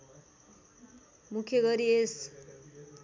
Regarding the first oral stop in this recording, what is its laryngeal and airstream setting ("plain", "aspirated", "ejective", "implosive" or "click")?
aspirated